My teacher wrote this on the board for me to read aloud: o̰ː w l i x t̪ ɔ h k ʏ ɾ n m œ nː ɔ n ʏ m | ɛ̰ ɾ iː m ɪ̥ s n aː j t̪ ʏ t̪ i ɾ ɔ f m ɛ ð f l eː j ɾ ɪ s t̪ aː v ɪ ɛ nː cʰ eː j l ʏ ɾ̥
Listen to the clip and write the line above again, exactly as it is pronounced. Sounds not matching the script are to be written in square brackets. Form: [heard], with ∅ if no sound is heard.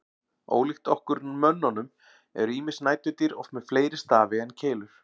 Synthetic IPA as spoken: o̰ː w l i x t̪ ɔ h k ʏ ɾ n m œ nː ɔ n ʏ m | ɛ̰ ɾ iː m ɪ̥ s n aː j t̪ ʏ t̪ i ɾ ɔ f m ɛ ð f l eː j ɾ ɪ s t̪ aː v ɪ ɛ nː cʰ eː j l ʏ ɾ̥